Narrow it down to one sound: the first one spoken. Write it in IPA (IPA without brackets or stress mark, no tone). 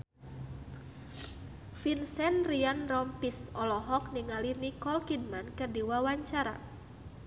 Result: f